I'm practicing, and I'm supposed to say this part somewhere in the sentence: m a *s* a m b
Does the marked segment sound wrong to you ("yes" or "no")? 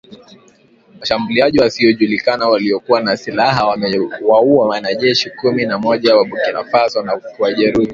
yes